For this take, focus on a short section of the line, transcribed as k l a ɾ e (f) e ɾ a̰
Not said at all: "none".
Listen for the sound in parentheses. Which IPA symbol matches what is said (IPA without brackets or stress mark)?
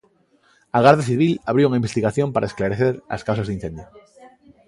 θ